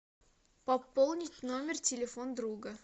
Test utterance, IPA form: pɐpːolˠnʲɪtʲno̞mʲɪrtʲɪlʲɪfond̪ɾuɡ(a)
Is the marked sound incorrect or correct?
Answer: incorrect: ə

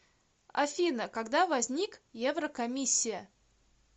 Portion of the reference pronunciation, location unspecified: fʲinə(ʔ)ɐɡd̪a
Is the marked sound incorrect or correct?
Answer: incorrect: k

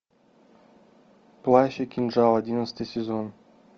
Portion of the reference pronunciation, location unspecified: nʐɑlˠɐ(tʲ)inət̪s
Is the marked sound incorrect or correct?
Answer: incorrect: dʲ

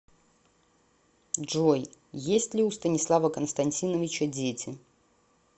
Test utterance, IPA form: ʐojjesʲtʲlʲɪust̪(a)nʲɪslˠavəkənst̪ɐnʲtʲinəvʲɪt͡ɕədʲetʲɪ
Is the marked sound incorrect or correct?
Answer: incorrect: ə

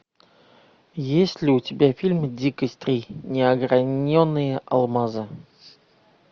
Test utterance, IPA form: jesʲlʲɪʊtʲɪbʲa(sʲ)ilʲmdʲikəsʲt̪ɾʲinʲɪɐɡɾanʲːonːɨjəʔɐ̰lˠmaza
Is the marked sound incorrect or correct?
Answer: incorrect: fʲ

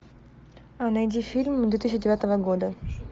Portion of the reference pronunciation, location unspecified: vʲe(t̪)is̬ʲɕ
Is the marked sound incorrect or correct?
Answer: correct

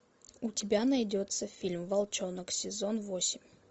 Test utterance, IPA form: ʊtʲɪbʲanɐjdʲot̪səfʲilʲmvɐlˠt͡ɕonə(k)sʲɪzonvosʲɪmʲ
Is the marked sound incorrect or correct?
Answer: correct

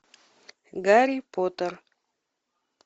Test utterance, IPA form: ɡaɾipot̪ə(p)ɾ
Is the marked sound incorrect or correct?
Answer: incorrect: none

